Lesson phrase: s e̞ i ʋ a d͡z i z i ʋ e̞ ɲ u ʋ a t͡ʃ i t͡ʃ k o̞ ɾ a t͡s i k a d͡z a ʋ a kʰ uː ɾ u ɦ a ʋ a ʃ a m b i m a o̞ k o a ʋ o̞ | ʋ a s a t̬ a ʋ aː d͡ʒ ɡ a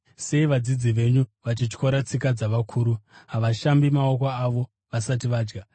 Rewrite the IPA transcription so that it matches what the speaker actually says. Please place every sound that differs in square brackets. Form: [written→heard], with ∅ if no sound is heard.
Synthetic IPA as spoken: s e̞ i ʋ a d͡z i [z→d͡z] i ʋ e̞ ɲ u ʋ a t͡ʃ i t͡ʃ k o̞ ɾ a t͡s i k a d͡z a ʋ a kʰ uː ɾ u ɦ a ʋ a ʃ a m b i m a o̞ k o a ʋ o̞ | ʋ a s a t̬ [a→i] ʋ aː d͡ʒ ɡ a